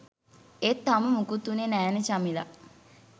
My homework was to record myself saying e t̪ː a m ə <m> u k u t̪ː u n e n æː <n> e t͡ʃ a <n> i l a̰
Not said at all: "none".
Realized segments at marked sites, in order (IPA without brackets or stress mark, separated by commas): m, n, m